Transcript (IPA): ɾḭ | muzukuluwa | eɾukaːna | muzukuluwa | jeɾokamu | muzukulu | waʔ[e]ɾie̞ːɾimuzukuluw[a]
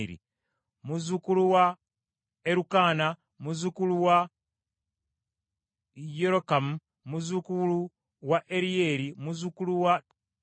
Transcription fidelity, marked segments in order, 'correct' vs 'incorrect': correct, correct

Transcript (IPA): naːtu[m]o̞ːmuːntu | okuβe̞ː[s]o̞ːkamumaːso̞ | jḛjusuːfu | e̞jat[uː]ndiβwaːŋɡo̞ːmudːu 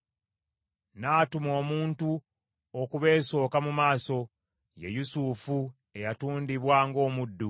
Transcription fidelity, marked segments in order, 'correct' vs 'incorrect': correct, correct, correct

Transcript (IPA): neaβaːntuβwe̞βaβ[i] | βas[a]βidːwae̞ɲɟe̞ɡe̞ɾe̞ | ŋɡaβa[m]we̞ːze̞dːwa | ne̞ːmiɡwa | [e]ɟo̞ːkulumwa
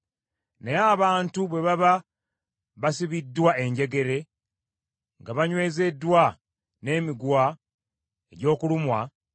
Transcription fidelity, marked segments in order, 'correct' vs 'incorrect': incorrect, incorrect, incorrect, correct

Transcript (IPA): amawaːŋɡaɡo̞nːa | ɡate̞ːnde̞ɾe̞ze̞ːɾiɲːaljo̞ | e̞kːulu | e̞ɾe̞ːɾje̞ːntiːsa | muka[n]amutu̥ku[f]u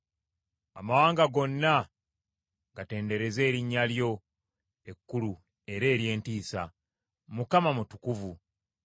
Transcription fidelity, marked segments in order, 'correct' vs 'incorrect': incorrect, incorrect

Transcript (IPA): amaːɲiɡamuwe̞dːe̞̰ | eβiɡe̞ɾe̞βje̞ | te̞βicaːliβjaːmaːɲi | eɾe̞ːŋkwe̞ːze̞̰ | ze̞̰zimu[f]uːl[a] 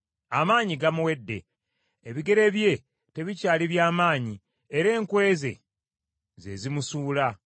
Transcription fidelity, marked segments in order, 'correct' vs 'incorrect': incorrect, correct

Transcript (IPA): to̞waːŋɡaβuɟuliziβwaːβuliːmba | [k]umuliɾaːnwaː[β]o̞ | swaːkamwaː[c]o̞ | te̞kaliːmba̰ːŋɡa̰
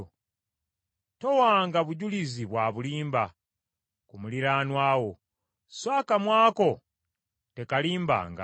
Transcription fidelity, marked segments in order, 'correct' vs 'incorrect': correct, incorrect, incorrect

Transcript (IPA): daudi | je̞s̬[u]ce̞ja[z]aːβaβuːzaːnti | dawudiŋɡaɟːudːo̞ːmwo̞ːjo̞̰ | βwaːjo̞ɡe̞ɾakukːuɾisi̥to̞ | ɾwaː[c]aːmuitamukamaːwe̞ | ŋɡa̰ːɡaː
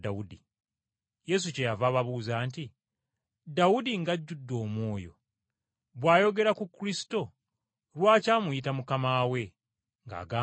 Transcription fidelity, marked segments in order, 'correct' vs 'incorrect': correct, incorrect, correct

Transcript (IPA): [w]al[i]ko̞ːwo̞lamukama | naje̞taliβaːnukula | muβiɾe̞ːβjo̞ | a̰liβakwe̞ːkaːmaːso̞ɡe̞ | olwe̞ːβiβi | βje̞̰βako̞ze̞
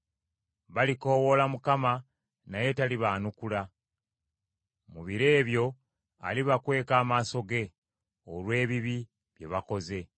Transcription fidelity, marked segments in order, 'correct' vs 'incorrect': incorrect, correct

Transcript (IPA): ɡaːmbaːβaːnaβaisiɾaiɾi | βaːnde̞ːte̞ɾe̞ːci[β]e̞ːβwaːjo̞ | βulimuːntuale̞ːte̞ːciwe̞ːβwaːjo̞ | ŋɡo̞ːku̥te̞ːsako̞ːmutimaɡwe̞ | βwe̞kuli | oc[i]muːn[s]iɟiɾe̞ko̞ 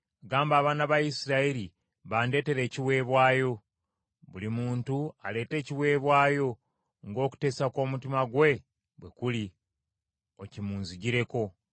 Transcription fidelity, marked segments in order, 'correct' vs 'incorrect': incorrect, correct, incorrect

